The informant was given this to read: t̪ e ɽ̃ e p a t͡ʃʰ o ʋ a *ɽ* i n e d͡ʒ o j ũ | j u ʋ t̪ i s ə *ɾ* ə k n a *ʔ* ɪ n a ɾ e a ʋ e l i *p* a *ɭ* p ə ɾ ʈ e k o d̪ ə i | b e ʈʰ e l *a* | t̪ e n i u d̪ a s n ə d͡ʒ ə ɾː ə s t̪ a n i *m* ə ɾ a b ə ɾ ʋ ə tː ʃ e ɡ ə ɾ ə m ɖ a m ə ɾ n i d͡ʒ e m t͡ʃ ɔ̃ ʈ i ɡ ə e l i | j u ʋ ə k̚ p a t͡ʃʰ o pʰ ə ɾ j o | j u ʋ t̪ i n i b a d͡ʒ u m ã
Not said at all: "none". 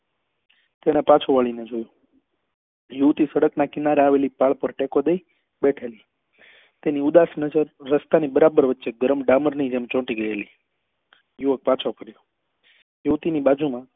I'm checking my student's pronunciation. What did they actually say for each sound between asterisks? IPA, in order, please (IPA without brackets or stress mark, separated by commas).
ɭ, ɽ, k, p, ɭ, i, b